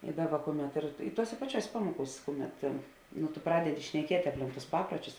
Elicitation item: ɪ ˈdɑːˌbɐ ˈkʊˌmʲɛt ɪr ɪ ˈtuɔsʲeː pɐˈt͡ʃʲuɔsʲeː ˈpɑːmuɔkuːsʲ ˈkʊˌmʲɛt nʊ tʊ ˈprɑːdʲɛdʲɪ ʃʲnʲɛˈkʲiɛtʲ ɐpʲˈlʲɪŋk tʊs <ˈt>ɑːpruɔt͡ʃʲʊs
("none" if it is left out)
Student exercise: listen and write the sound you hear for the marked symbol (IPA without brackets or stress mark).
p